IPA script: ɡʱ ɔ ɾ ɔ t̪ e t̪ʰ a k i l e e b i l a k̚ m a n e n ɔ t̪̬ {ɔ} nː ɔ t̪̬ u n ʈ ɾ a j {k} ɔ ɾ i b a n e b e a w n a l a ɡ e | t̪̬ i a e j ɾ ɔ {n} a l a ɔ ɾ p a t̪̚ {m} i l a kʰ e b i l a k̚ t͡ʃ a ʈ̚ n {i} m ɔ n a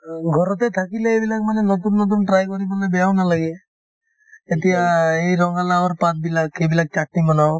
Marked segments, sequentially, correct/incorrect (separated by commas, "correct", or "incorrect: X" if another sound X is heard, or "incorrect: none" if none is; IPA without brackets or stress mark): incorrect: u, correct, incorrect: ŋ, incorrect: b, correct